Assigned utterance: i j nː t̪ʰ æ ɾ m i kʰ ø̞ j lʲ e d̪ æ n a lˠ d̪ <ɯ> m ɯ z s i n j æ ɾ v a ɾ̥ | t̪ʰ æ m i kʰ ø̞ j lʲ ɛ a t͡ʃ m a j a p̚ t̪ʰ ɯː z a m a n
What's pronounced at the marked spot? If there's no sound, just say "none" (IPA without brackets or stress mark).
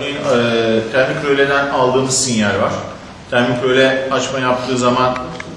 ɯː